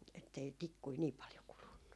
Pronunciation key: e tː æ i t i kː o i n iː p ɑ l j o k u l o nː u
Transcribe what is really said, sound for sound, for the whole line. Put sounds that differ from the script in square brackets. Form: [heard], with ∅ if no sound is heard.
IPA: e tː [e] i t i kː [u] i n iː p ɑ l j o k u l [u] nː u